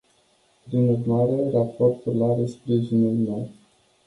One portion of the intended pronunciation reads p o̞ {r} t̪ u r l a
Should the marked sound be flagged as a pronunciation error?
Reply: no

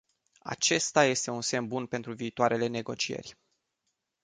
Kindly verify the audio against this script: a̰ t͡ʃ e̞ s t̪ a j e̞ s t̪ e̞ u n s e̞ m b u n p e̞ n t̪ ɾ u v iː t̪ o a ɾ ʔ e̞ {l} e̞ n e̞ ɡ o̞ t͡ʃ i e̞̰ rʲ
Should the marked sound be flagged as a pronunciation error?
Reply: no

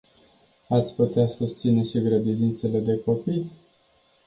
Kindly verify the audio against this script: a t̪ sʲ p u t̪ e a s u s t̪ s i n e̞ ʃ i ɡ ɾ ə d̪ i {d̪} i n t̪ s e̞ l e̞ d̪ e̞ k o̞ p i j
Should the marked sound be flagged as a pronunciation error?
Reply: no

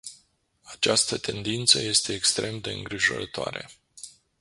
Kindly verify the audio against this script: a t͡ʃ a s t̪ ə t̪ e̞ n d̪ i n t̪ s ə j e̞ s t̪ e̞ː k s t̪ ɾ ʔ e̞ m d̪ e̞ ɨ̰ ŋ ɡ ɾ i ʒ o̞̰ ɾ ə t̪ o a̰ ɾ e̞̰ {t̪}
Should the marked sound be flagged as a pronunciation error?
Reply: yes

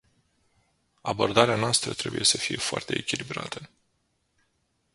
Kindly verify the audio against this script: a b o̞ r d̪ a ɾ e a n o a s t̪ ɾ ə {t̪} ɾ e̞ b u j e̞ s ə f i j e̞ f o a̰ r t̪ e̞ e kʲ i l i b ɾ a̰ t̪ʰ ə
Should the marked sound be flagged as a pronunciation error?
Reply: no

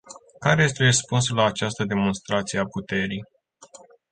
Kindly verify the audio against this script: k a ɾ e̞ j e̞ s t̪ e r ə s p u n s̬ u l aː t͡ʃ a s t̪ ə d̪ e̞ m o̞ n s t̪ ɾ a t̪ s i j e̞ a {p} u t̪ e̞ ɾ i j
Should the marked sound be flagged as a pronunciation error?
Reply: no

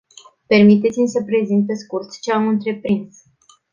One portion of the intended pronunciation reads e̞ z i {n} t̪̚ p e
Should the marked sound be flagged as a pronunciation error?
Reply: no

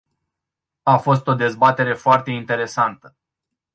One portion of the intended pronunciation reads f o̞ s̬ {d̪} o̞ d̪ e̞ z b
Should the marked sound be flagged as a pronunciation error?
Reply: yes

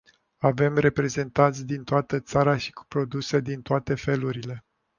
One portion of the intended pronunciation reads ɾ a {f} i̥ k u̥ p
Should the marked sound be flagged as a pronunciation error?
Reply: yes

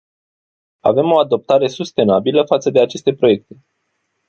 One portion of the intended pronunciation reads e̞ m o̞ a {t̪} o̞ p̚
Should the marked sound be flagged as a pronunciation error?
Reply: yes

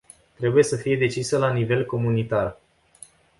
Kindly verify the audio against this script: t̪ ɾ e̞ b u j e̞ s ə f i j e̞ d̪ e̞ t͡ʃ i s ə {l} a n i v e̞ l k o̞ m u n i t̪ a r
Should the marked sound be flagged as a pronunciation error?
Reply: no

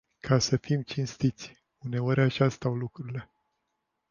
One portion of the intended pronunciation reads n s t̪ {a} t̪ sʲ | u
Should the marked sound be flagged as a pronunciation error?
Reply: yes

